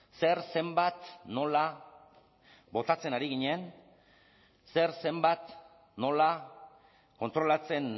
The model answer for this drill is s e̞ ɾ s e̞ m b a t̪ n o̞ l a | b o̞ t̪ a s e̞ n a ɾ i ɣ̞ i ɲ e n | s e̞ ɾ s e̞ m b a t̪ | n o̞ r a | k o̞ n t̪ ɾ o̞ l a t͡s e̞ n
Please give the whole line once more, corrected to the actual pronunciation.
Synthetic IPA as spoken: s e̞ ɾ s e̞ m b a t̪ n o̞ l a | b o̞ t̪ a t͡s e̞ n a ɾ i ɣ̞ i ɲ e n | s e̞ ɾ s e̞ m b a t̪ | n o̞ l a | k o̞ n t̪ ɾ o̞ l a t͡s e̞ n